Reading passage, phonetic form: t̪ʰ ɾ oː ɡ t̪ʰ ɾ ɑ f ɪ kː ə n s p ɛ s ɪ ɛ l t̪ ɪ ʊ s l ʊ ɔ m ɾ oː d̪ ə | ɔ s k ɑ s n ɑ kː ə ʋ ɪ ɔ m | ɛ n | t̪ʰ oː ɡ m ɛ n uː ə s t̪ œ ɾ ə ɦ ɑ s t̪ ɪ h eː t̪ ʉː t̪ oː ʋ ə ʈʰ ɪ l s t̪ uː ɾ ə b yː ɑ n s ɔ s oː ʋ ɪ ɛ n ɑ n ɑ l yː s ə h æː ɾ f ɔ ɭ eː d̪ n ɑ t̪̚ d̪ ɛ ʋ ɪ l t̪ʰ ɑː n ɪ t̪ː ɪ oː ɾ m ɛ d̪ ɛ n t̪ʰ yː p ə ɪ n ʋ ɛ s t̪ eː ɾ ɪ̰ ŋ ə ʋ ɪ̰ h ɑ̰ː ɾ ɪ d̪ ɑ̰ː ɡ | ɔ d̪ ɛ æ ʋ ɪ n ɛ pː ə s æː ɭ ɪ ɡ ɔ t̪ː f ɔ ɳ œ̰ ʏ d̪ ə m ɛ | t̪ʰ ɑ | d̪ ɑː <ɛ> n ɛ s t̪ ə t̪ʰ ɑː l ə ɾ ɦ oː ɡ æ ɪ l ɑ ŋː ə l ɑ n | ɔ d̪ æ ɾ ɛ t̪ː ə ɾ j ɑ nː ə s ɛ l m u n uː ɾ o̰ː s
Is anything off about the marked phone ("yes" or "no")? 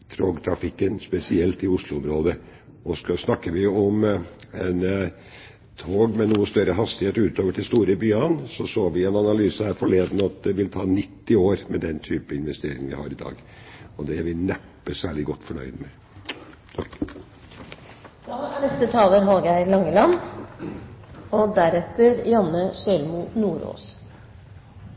yes